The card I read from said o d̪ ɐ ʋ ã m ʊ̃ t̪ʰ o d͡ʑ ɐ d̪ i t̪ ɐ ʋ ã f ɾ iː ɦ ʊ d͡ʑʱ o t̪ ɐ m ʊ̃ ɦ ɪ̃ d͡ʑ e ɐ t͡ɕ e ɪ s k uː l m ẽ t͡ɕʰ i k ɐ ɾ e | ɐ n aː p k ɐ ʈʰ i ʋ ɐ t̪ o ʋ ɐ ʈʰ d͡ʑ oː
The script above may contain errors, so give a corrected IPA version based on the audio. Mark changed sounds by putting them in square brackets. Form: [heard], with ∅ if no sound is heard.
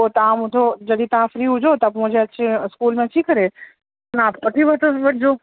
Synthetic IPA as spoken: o [t̪] ɐ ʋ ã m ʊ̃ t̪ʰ o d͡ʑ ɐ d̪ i t̪ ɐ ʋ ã f ɾ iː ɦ ʊ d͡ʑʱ o t̪ ɐ m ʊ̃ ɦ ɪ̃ d͡ʑ e ɐ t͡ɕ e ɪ s k uː l m ẽ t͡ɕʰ i k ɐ ɾ e | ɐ n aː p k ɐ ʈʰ i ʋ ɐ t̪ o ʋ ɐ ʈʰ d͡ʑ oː

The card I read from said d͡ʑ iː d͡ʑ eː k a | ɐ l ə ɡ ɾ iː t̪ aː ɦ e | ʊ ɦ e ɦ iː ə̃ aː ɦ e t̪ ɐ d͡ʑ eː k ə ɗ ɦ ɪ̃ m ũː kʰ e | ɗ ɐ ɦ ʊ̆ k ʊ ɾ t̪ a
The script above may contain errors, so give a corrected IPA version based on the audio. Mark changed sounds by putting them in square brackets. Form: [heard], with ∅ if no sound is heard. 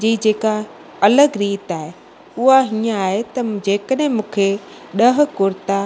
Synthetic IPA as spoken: d͡ʑ iː d͡ʑ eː k a | ɐ l ə ɡ ɾ iː t̪ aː ɦ e | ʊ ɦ [a] ɦ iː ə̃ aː ɦ e t̪ ɐ d͡ʑ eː k ə ɗ ɦ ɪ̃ m ũː kʰ e | ɗ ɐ ɦ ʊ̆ k ʊ ɾ t̪ a

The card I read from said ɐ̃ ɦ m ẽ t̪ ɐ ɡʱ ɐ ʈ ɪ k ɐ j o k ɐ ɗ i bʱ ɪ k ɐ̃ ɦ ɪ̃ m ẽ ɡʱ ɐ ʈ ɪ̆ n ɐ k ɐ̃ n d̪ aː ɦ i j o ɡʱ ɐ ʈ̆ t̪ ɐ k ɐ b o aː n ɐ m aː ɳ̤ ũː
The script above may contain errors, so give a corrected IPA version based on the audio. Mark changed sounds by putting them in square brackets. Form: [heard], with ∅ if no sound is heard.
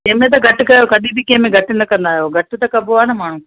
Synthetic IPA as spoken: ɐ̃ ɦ m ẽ t̪ ɐ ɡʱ ɐ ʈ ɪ k ɐ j o k ɐ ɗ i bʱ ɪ k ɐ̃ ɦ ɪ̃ m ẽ ɡʱ ɐ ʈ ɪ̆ n ɐ k ɐ̃ n d̪ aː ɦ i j o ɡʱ ɐ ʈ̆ t̪ ɐ k ɐ b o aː n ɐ m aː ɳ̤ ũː

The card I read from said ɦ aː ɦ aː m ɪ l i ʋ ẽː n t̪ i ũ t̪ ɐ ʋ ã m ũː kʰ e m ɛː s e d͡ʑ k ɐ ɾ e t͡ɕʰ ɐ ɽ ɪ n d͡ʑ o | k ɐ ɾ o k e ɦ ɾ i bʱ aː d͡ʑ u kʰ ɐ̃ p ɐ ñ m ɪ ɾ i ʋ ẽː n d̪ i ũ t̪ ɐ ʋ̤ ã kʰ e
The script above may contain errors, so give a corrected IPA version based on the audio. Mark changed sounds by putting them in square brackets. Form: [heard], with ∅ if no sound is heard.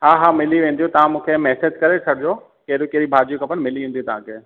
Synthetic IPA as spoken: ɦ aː ɦ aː m ɪ l i ʋ ẽː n [d̪] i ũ t̪ ɐ ʋ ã m ũː kʰ e m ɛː s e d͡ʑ k ɐ ɾ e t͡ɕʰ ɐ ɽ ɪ [∅] d͡ʑ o | k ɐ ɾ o k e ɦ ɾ i bʱ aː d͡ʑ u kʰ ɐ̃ p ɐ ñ m ɪ [l] i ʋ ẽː n d̪ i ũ t̪ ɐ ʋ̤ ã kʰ e

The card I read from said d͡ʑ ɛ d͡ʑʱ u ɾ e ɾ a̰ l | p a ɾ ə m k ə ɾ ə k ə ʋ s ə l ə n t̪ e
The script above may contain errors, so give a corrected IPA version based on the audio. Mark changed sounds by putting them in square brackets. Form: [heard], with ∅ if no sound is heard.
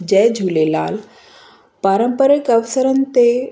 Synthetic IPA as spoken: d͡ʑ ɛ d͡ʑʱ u [l] e [l] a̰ l | p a ɾ ə m [p] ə ɾ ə k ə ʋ s ə [ɾ] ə n t̪ e

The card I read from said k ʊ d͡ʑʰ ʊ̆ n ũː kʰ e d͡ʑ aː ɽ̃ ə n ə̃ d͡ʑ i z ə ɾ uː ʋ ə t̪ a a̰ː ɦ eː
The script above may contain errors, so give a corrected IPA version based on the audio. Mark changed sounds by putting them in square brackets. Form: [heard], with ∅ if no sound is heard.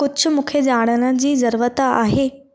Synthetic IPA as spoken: k ʊ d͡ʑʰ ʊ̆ [m] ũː kʰ e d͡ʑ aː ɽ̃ ə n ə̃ d͡ʑ [iː] z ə ɾ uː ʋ ə t̪ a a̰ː ɦ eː

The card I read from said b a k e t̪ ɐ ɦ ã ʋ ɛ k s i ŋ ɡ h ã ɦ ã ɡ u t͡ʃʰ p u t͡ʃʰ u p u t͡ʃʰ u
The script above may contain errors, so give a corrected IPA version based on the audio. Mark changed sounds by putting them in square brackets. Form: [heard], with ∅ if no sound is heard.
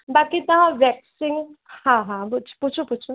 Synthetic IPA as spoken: b a k [i] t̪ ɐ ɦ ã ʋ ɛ k s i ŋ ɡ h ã ɦ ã [b] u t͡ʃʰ p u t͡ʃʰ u p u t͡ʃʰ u

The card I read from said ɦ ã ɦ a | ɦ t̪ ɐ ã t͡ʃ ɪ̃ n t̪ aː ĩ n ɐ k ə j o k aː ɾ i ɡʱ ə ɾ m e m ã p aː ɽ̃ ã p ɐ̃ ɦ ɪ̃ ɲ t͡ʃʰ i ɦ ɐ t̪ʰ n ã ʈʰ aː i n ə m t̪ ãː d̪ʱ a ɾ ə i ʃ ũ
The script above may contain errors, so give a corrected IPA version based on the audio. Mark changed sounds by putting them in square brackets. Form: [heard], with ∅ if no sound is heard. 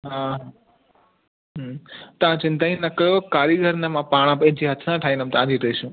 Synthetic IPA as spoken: ɦ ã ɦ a | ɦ t̪ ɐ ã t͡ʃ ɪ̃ n t̪ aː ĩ n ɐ k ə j o k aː ɾ i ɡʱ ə ɾ [n] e m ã p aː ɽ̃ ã p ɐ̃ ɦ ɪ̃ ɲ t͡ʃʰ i ɦ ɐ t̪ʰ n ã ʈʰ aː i n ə m t̪ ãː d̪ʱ [i] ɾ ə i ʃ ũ

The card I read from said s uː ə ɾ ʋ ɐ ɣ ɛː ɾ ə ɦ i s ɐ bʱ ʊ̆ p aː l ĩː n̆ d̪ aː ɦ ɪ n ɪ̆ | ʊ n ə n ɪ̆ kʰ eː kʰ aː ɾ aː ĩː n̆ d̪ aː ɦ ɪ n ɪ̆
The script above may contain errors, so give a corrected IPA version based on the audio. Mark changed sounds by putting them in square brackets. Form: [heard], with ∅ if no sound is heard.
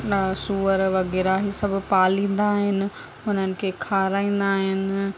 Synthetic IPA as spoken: s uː ə ɾ ʋ ɐ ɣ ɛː ɾ [a] ɦ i s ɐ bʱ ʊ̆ p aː l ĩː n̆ d̪ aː ɦ ɪ n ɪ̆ | ʊ n ə n ɪ̆ kʰ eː kʰ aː ɾ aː ĩː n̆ d̪ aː ɦ ɪ n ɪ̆

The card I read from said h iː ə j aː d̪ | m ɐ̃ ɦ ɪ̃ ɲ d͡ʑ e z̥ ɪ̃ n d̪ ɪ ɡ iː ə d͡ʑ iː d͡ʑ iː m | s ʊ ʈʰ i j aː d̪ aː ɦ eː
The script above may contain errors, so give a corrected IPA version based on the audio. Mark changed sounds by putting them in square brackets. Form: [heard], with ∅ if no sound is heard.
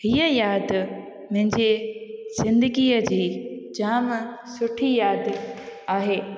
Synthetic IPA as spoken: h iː ə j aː d̪ | m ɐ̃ ɦ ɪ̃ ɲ d͡ʑ e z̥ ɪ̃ n d̪ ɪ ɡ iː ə d͡ʑ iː d͡ʑ [aː] m | s ʊ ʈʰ i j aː d̪ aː ɦ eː

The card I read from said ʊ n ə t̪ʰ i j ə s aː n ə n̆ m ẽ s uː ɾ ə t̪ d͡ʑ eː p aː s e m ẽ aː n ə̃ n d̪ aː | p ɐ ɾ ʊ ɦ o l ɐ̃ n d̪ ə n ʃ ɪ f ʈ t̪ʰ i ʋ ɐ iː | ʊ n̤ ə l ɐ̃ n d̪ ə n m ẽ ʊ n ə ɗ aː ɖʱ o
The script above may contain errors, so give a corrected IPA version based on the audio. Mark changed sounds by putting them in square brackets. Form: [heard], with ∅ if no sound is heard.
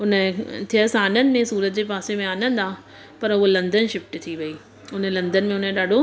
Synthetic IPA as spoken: ʊ n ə t̪ʰ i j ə s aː n ə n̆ m ẽ s uː ɾ ə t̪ d͡ʑ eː p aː s e m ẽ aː n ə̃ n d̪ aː | p ɐ ɾ ʊ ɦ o l ɐ̃ n d̪ ə n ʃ ɪ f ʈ t̪ʰ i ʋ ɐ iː | ʊ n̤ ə l ɐ̃ n d̪ ə n m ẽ ʊ n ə ɗ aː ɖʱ o

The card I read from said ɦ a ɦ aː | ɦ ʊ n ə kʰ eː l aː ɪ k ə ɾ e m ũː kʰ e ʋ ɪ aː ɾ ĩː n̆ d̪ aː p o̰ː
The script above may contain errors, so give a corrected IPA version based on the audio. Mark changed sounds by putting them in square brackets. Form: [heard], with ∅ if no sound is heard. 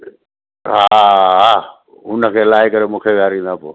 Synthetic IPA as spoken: ɦ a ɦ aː | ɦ ʊ n ə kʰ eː l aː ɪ k ə ɾ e m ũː kʰ e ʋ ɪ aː ɾ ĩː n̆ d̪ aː p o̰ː

